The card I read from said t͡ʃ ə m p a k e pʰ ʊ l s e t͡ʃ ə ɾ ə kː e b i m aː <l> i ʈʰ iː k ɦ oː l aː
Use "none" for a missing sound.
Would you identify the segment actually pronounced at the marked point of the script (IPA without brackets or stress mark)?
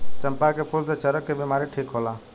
ɾ